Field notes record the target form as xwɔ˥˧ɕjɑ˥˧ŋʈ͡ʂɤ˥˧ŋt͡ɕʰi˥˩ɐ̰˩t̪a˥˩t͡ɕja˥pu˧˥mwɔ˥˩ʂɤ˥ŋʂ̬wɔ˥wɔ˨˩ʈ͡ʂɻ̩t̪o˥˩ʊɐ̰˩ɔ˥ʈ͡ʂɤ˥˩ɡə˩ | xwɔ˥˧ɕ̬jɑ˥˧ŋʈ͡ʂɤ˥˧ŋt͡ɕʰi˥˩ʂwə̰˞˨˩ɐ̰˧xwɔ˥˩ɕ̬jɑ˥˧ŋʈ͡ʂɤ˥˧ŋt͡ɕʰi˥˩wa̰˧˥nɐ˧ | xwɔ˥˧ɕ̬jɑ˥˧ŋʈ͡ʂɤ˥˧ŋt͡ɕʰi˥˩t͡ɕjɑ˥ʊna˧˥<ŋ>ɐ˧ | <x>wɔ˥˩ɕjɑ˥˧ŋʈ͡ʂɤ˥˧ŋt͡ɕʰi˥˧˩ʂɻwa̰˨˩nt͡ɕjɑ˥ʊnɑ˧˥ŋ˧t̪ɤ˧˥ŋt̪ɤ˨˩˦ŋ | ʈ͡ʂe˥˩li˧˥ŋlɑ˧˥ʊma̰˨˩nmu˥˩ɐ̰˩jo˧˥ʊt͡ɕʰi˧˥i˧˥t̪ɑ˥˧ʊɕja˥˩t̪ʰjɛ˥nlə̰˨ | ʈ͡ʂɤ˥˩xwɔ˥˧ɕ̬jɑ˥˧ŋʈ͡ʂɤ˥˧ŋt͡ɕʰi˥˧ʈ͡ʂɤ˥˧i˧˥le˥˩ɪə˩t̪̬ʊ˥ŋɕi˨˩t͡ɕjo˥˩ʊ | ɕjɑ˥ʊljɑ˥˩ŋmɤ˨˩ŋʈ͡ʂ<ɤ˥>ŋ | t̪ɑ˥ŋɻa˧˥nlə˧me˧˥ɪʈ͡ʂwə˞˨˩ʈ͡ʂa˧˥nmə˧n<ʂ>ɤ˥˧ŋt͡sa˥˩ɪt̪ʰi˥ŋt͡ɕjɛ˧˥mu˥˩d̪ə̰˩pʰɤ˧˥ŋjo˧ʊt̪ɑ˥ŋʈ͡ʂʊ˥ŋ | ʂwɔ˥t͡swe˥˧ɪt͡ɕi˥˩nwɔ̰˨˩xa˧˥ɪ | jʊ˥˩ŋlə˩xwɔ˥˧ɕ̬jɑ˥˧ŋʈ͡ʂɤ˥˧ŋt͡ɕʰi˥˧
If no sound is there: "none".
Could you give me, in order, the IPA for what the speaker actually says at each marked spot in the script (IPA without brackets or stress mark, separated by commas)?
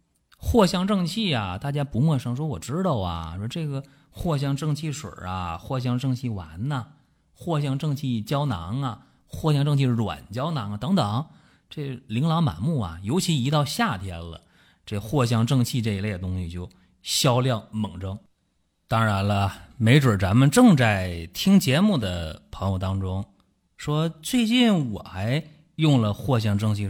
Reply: ŋ, x, ɤ˥, ʈ͡ʂ